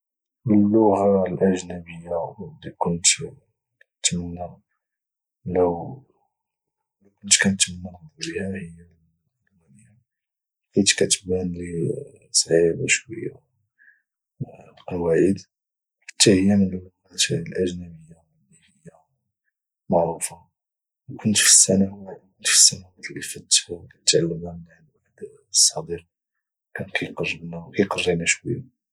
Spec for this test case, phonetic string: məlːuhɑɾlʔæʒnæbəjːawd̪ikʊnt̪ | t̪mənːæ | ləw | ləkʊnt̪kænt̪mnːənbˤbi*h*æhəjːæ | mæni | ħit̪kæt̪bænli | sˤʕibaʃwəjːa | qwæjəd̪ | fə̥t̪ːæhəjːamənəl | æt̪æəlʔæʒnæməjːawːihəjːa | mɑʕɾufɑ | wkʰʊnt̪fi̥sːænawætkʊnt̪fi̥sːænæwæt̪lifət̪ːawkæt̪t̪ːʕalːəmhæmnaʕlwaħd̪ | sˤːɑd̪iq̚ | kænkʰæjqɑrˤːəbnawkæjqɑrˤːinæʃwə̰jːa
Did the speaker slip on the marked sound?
no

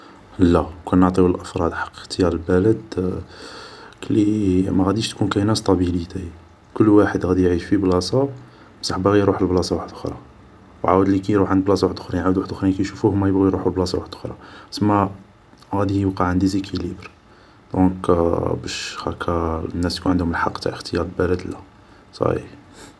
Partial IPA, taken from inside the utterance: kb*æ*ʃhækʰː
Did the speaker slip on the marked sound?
no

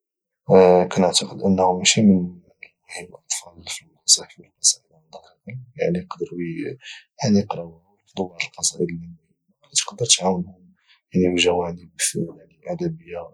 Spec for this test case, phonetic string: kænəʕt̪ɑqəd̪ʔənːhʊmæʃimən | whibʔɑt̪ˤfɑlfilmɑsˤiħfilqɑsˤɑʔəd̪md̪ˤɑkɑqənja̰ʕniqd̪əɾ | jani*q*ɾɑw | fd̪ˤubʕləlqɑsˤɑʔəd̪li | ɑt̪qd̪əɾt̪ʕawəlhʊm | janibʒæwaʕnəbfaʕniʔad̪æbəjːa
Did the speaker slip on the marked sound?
no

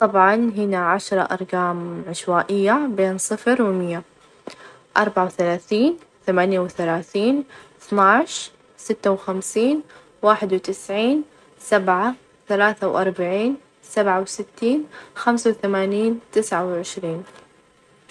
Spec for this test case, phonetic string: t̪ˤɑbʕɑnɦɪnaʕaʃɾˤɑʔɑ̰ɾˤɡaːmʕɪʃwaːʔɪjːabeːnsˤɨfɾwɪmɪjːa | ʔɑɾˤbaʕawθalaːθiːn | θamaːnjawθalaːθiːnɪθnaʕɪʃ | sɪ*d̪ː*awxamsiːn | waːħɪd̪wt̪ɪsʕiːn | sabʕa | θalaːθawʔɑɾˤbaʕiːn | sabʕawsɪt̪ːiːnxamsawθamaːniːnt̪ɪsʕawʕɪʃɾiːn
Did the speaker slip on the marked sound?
yes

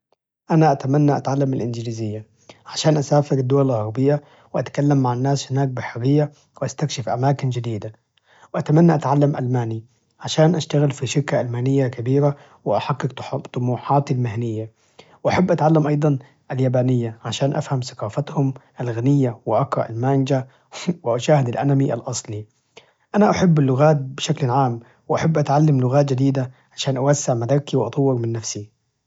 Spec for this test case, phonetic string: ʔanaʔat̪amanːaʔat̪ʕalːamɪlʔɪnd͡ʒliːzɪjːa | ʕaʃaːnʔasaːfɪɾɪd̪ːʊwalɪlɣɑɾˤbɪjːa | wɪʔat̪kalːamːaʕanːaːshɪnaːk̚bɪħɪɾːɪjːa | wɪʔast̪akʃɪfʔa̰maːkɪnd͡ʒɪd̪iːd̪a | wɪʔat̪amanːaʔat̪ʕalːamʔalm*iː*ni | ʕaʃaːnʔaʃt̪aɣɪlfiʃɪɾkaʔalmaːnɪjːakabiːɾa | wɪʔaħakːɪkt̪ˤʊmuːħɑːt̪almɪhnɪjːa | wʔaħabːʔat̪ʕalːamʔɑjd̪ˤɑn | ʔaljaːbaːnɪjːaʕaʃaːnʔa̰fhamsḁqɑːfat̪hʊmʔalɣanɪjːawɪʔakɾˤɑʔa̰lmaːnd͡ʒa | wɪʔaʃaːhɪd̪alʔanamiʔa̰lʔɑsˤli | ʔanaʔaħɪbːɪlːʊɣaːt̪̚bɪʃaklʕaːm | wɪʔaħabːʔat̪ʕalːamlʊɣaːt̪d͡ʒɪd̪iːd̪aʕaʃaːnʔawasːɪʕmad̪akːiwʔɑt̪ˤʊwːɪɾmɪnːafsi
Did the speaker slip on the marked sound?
yes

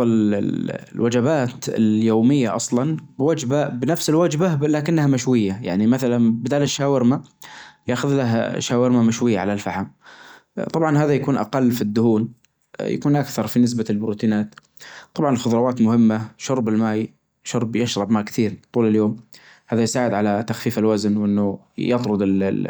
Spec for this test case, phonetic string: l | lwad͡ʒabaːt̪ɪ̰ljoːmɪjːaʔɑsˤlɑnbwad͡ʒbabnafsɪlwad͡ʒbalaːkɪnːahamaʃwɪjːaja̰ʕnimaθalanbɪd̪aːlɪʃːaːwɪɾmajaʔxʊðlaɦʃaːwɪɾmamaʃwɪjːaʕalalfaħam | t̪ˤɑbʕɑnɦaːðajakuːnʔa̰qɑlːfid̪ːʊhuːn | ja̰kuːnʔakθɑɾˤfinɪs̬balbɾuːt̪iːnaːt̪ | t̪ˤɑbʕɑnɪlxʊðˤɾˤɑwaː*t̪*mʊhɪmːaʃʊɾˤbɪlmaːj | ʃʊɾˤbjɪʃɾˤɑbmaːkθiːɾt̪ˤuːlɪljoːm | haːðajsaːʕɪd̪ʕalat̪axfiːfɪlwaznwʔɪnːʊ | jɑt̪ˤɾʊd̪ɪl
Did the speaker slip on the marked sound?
no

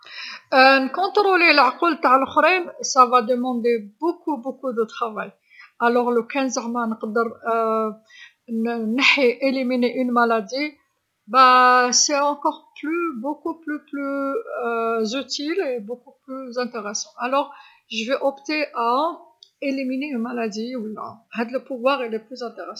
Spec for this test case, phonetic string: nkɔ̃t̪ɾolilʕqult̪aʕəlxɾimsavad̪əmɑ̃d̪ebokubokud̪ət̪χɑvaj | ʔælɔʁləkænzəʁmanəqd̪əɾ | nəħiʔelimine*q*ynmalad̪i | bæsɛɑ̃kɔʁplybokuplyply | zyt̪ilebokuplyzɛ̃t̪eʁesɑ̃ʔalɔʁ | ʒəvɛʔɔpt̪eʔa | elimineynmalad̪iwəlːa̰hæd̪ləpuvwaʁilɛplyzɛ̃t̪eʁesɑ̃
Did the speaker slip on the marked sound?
yes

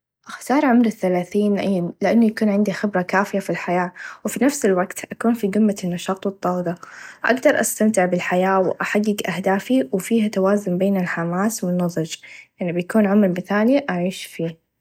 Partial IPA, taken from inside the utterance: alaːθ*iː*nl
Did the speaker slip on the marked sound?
no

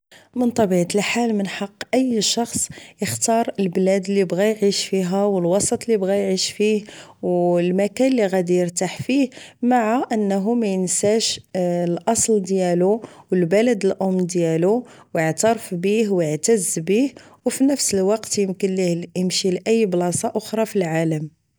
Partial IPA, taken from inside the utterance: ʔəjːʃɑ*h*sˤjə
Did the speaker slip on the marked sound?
yes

